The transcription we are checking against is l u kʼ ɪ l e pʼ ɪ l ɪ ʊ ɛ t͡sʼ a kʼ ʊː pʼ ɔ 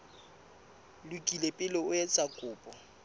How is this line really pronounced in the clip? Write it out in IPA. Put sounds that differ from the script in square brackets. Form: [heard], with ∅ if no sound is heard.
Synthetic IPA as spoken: l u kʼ [i] l e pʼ ɪ l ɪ ʊ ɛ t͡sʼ a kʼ ʊː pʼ ɔ